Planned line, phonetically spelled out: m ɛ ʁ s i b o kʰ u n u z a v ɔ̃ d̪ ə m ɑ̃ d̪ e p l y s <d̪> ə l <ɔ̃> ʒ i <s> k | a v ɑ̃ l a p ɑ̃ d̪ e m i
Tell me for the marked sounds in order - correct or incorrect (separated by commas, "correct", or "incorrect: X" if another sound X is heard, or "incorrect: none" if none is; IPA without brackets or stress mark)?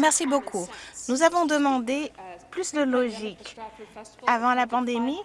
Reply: correct, incorrect: ɔ, incorrect: none